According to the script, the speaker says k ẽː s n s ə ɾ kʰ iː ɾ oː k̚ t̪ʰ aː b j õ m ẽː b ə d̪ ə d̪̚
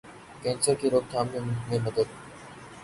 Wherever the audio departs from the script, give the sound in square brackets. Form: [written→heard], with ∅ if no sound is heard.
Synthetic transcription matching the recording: k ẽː [s→∅] n s ə ɾ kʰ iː ɾ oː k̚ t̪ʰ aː [b→m] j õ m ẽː [b→m] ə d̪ ə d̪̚